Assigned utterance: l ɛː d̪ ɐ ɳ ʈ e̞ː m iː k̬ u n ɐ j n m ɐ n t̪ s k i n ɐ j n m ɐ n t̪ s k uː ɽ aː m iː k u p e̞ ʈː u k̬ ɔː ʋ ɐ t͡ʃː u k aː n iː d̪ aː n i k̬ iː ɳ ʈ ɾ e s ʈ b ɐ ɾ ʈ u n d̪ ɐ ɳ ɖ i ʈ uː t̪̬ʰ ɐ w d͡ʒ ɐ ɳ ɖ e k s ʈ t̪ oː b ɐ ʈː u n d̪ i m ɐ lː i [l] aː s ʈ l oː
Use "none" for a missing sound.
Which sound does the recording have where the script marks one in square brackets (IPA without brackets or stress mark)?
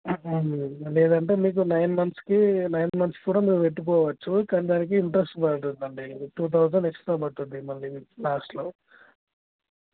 l